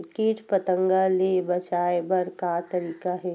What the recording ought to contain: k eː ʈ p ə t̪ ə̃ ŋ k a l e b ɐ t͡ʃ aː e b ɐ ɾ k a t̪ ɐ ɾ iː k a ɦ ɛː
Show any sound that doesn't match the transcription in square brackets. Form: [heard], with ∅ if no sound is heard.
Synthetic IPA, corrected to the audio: k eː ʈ p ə t̪ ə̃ ŋ [ɡ] a l e b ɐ t͡ʃ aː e b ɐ ɾ k a t̪ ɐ ɾ iː k a ɦ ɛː